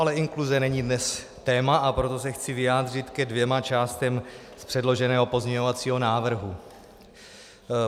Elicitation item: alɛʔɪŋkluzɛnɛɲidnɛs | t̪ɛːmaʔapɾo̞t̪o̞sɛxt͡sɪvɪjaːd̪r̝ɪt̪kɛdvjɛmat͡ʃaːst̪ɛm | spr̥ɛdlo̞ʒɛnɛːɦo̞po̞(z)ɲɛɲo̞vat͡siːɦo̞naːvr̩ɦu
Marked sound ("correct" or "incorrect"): correct